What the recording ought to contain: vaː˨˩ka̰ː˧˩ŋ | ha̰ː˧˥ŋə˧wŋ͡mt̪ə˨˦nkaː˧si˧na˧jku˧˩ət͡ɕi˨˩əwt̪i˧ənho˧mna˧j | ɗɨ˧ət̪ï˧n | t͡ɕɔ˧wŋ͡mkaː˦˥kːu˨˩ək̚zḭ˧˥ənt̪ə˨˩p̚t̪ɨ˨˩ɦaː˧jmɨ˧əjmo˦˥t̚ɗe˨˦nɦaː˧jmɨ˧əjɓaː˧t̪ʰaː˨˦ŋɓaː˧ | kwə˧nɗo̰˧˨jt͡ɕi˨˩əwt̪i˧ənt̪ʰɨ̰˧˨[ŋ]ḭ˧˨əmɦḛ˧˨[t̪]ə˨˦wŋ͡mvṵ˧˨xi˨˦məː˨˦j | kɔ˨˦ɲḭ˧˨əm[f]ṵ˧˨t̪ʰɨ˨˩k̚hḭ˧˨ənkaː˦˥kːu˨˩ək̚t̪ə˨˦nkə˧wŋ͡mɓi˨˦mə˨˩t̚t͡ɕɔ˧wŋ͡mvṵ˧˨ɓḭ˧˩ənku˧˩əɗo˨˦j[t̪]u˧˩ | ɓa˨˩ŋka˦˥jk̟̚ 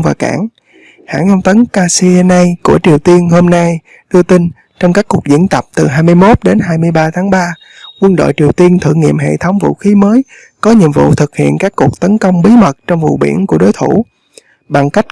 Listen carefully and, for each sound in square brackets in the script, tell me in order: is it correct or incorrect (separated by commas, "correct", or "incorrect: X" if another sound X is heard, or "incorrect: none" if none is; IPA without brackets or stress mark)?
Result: correct, incorrect: t̪ʰ, incorrect: v, incorrect: t̪ʰ